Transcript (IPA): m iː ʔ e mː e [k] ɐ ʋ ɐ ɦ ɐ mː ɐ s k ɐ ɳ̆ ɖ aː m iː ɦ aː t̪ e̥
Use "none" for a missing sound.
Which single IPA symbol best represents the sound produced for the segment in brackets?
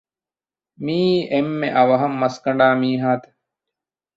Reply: ʔ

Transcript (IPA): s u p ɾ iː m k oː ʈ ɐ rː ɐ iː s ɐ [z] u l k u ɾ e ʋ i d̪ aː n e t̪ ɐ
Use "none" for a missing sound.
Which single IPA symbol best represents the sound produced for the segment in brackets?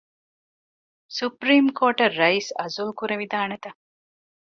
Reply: z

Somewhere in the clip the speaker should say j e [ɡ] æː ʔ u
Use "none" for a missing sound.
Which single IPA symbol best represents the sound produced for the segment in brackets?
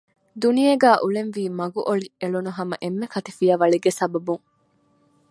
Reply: ɡ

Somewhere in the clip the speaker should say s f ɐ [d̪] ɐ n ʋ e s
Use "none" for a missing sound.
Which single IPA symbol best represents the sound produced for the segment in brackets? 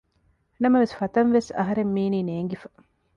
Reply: t̪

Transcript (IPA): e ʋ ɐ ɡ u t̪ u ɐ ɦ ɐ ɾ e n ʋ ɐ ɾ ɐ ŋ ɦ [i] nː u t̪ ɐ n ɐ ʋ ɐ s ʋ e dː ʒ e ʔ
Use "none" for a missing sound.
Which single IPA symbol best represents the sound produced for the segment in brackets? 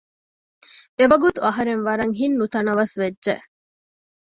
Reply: i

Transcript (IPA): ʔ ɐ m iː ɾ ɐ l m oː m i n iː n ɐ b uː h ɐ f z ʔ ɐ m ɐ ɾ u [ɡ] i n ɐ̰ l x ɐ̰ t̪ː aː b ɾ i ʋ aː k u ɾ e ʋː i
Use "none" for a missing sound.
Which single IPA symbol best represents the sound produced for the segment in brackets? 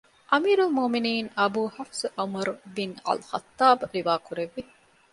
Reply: b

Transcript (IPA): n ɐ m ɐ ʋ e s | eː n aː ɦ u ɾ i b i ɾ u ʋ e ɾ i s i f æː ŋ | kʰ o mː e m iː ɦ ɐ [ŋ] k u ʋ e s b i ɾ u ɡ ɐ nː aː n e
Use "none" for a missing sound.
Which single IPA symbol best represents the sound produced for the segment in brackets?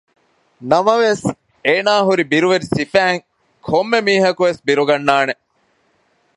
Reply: none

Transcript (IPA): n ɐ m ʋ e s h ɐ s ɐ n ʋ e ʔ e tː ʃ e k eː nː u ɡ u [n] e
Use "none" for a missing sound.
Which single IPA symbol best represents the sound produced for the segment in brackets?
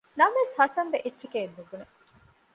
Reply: n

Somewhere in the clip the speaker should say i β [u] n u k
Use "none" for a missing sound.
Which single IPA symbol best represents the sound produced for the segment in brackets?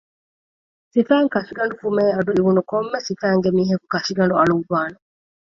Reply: u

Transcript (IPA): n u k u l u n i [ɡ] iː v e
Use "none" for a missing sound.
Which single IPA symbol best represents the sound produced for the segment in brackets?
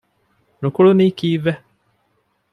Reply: k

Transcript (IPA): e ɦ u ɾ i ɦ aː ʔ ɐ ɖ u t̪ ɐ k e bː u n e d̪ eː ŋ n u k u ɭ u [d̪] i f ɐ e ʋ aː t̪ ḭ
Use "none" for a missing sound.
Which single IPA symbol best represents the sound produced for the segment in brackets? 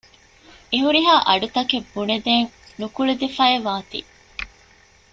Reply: d̪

